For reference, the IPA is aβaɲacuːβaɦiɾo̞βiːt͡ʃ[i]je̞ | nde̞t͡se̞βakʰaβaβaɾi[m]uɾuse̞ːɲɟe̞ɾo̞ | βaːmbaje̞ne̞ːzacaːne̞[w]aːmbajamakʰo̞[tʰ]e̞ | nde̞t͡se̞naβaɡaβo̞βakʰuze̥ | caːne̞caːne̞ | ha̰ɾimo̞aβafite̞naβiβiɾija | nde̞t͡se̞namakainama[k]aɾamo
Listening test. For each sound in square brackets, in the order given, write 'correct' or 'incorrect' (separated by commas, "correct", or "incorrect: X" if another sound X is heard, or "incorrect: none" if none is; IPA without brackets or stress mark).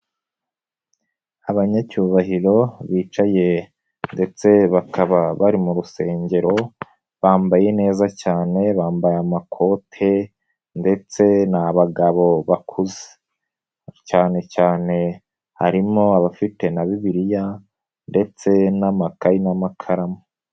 incorrect: a, correct, incorrect: β, correct, incorrect: kʰ